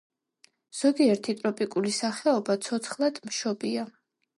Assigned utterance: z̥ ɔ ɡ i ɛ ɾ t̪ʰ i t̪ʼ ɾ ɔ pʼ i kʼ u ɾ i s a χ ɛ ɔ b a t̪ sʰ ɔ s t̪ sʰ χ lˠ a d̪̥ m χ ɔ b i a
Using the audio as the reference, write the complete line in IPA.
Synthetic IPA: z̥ ɔ ɡ i ɛ ɾ t̪ʰ i t̪ʼ ɾ ɔ pʼ i kʼ u l i s a χ ɛ ɔ b a t̪ sʰ ɔ t̪ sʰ χ lˠ a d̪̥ m ʃ ɔ b i a